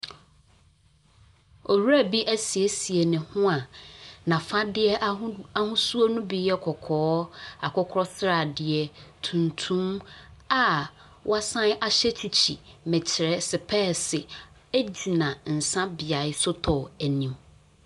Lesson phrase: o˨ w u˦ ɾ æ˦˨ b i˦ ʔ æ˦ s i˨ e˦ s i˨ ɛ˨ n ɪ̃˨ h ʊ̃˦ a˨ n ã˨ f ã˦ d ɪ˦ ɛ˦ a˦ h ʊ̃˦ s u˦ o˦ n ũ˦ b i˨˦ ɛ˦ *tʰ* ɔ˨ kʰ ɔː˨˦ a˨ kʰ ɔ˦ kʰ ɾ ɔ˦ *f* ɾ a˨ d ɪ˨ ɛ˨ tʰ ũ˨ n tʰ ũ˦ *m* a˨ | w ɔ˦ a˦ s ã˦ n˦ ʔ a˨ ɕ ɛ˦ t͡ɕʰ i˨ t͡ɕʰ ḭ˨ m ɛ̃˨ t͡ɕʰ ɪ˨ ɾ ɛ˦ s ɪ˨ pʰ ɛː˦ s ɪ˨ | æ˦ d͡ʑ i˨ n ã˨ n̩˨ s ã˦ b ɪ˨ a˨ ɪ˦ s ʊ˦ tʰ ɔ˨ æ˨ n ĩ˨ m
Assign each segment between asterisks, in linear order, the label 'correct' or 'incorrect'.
incorrect: kʰ, incorrect: s, correct

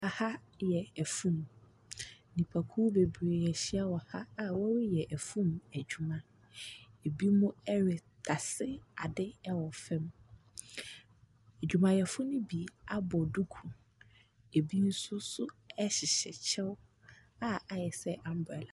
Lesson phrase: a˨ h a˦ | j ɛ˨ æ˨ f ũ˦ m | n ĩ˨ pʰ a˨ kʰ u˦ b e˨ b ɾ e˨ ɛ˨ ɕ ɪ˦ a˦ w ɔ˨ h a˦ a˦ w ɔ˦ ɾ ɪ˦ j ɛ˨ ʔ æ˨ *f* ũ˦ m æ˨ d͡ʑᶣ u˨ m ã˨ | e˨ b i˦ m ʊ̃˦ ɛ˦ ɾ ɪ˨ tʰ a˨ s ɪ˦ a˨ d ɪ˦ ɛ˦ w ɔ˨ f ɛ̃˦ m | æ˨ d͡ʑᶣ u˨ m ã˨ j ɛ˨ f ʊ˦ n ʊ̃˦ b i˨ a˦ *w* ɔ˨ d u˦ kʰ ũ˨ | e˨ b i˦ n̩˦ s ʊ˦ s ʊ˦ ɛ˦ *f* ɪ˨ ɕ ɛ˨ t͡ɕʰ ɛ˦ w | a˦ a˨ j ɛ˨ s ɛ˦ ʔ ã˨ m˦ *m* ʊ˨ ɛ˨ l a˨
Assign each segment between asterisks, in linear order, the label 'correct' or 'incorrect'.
correct, incorrect: b, incorrect: ɕ, incorrect: b

